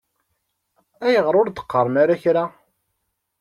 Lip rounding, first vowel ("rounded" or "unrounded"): unrounded